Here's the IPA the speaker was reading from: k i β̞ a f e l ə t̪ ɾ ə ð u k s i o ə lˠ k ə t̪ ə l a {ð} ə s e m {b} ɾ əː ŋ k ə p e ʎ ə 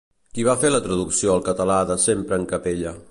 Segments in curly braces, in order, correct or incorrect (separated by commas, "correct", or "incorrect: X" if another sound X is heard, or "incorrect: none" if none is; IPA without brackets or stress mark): correct, incorrect: p